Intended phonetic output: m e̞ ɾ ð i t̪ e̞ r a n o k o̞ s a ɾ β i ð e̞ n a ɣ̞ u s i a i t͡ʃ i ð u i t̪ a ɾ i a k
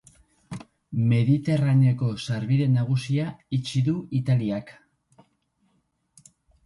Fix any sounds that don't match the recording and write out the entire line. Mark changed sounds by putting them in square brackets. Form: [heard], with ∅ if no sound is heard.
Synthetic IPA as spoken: m e̞ [∅] ð i t̪ e̞ r a n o k o̞ s a ɾ β i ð e̞ n a ɣ̞ u s i a i t͡ʃ i ð u i t̪ a [l] i a k